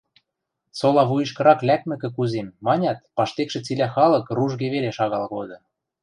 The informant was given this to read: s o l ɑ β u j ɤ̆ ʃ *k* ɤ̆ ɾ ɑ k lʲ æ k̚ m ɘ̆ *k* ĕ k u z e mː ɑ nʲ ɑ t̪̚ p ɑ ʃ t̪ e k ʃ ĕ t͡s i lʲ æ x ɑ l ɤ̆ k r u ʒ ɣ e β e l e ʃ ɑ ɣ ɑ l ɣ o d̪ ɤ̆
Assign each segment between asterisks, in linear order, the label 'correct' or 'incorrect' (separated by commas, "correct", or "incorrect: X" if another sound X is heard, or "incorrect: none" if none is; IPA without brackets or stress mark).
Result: correct, correct